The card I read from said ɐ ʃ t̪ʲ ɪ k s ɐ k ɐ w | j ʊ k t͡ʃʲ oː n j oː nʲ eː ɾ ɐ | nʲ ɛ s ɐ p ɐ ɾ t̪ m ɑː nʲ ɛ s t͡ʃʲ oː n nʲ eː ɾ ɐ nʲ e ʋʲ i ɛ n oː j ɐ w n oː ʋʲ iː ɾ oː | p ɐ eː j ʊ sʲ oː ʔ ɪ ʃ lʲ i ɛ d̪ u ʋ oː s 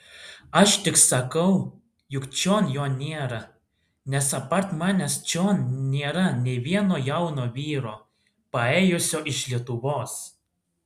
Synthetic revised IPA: ɐ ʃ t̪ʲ ɪ k s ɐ k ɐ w | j ʊ k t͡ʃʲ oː n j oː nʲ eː ɾ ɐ | nʲ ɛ s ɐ p ɐ ɾ t̪ m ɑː nʲ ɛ s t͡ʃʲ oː n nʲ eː ɾ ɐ nʲ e ʋʲ i ɛ n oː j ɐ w n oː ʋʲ iː ɾ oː | p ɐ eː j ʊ sʲ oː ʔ ɪ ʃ lʲ i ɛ t̪ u ʋ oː s